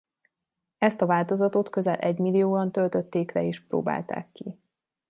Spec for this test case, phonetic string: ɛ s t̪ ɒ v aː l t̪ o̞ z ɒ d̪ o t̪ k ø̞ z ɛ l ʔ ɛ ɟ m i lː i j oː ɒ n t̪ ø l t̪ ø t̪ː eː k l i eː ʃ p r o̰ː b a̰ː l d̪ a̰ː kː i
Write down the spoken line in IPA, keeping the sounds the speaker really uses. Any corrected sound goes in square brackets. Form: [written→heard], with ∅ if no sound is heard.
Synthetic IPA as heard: ɛ s t̪ ɒ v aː l t̪ o̞ z ɒ [d̪→t̪] o t̪ k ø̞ z ɛ l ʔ ɛ ɟ m i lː i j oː ɒ n t̪ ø l t̪ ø t̪ː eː k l [i→ɛ] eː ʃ p r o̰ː b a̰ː l [d̪→t̪] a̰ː kː i